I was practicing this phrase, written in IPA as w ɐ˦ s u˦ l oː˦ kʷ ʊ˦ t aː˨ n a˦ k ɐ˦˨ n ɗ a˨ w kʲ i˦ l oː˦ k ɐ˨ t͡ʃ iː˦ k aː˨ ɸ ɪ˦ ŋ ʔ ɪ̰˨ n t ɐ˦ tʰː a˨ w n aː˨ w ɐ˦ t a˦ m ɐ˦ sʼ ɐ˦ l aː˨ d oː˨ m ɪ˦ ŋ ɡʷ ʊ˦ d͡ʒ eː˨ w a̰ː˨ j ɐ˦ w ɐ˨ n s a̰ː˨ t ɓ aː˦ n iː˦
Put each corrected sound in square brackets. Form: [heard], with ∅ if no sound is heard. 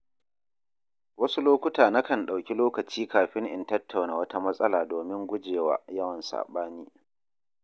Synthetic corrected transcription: w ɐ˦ s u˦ l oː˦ kʷ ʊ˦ t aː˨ n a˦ k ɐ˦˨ n ɗ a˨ w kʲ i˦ l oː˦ k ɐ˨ t͡ʃ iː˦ k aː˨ ɸ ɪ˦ ŋ ʔ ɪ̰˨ n t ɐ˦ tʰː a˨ w n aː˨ w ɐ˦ t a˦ m ɐ˦ sʼ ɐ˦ l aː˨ d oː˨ m ɪ˦ ŋ ɡʷ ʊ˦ d͡ʒ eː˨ w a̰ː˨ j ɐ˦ w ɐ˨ n s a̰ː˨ [∅] ɓ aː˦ n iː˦